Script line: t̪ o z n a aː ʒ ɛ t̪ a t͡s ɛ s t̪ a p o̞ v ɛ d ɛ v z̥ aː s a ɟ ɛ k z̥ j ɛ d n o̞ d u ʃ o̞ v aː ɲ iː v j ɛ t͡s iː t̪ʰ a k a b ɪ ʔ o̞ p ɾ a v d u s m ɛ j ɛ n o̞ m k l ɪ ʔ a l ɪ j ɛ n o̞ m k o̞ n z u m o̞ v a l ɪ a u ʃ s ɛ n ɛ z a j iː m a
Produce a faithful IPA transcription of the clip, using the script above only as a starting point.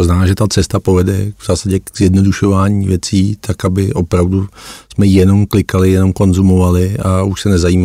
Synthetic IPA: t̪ o z n a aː ʒ ɛ t̪ a t͡s ɛ s t̪ a p o̞ v ɛ d ɛ v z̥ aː s a ɟ ɛ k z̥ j ɛ d n o̞ d u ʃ o̞ v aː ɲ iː v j ɛ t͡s iː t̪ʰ a k a b ɪ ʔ o̞ p ɾ a v d u s m ɛ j ɛ n o̞ m k l ɪ k a l ɪ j ɛ n o̞ m k o̞ n z u m o̞ v a l ɪ a u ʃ s ɛ n ɛ z a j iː m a